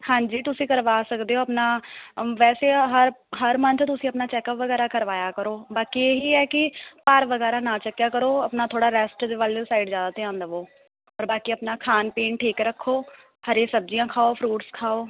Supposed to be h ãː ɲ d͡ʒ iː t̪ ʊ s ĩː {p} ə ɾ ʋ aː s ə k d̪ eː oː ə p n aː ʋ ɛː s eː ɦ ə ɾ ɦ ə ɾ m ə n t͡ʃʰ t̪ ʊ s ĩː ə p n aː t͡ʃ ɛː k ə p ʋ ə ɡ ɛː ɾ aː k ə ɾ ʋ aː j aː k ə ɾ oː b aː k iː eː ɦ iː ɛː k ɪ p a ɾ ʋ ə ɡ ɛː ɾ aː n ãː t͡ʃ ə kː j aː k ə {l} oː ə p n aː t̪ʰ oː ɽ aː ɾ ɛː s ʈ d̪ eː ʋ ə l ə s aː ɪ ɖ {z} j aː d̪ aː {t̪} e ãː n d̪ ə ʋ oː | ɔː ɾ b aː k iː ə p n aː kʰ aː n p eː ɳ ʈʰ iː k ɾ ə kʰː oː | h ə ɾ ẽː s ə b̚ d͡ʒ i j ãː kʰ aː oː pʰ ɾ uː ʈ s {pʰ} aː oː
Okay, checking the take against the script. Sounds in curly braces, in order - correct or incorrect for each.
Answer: incorrect: k, incorrect: ɾ, correct, correct, incorrect: kʰ

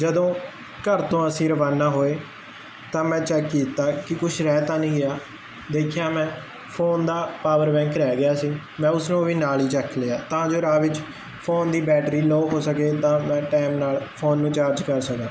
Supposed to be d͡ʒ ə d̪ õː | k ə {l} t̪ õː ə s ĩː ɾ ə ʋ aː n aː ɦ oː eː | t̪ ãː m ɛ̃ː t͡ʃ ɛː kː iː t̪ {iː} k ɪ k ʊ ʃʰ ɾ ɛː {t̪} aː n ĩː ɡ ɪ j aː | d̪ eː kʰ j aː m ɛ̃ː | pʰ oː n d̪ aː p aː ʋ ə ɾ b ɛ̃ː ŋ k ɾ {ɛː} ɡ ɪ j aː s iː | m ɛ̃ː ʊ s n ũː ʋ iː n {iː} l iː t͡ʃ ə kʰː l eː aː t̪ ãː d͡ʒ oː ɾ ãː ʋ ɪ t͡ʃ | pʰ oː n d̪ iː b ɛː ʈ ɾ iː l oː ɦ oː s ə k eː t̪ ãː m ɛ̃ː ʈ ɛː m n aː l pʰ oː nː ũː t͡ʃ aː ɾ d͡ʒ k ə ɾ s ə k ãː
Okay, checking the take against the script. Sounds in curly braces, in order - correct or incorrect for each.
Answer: incorrect: ɾ, incorrect: aː, correct, correct, incorrect: aː

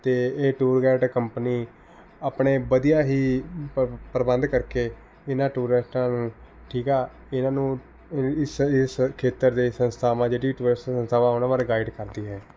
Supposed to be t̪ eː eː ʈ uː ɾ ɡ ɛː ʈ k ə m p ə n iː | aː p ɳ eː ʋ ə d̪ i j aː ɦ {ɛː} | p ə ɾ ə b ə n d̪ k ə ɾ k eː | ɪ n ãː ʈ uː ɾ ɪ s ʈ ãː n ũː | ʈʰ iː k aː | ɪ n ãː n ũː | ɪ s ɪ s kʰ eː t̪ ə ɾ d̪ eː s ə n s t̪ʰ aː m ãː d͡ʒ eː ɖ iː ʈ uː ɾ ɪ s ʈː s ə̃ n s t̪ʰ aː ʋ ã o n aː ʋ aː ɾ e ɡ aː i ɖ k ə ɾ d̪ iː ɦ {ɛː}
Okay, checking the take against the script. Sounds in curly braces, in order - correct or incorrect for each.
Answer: incorrect: iː, correct

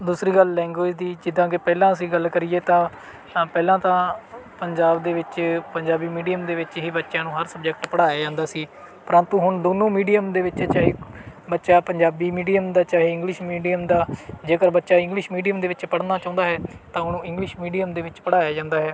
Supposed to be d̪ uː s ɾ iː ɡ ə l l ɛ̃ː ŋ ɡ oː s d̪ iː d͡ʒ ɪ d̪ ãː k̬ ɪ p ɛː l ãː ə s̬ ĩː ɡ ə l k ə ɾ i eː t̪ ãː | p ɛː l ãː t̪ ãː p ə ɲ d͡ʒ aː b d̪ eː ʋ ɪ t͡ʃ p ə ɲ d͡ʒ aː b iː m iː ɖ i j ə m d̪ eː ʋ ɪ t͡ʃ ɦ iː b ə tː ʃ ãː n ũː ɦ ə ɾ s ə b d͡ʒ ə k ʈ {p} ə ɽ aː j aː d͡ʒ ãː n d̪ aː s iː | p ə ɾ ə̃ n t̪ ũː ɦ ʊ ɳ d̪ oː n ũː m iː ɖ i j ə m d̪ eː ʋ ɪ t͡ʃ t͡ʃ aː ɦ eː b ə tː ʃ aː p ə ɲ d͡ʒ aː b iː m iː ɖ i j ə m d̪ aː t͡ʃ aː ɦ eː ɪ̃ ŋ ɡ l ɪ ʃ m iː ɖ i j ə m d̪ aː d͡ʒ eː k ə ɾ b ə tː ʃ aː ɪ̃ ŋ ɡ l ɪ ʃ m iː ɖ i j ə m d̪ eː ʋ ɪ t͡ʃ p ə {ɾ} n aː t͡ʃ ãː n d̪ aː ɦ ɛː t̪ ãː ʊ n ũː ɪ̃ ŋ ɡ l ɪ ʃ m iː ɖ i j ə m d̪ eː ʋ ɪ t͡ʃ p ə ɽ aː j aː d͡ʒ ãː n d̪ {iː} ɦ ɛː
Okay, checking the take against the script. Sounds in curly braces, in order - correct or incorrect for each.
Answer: correct, incorrect: ɽ, incorrect: aː

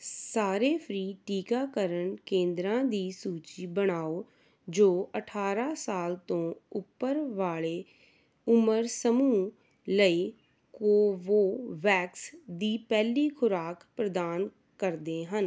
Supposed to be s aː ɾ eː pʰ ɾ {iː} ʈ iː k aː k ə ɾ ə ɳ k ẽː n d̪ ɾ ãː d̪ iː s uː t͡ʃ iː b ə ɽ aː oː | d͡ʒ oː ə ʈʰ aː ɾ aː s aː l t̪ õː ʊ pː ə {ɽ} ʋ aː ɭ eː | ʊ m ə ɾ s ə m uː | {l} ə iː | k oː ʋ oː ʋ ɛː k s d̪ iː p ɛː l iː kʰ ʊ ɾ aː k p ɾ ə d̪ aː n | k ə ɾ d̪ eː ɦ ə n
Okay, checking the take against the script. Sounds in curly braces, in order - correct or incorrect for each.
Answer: correct, incorrect: ɾ, correct

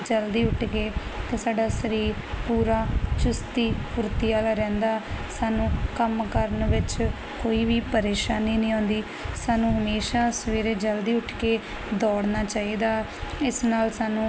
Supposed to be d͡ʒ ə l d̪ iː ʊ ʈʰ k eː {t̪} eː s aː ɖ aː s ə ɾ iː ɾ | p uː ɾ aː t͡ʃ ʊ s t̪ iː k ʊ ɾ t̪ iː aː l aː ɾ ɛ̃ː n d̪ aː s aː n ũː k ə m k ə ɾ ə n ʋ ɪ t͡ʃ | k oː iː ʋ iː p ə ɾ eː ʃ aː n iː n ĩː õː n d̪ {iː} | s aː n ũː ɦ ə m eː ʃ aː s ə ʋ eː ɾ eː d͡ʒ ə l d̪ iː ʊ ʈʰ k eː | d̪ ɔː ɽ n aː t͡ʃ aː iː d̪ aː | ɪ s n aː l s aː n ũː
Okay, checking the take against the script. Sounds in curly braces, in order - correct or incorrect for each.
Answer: correct, correct

